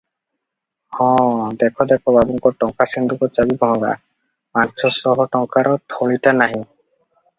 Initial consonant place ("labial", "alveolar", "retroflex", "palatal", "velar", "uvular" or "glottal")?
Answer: glottal